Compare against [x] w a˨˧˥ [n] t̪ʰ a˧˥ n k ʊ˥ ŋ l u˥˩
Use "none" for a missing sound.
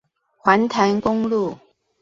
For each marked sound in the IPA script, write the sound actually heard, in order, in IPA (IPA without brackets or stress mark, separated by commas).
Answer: x, n